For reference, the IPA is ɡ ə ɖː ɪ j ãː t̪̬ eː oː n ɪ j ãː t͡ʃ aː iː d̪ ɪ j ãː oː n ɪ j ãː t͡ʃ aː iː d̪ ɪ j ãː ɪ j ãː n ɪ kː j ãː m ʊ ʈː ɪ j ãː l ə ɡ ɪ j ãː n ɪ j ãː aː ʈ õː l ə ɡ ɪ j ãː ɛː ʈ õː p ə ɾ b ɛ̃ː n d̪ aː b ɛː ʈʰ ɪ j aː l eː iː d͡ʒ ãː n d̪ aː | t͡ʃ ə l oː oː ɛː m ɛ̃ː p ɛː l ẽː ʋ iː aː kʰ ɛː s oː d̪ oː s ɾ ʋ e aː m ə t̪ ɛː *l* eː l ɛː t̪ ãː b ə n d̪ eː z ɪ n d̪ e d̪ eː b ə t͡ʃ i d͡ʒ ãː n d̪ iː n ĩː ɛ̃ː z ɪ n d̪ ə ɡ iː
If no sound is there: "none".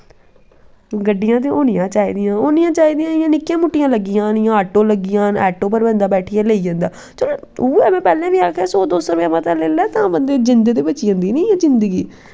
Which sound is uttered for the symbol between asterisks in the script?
l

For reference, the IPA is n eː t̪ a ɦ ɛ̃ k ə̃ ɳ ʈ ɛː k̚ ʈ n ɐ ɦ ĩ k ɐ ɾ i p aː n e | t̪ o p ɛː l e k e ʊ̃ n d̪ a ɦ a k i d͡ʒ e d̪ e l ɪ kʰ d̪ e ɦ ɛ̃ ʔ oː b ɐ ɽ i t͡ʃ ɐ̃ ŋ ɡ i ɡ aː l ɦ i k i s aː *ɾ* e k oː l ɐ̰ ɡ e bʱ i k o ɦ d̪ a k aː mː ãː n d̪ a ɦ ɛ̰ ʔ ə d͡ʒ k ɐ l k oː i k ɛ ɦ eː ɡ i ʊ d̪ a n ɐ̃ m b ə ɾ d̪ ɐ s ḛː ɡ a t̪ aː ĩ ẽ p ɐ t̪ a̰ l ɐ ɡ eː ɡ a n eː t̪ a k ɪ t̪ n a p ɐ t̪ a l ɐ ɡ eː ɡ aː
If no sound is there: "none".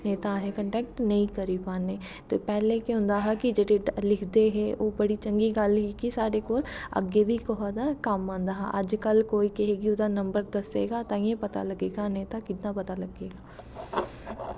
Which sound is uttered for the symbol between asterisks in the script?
ɾ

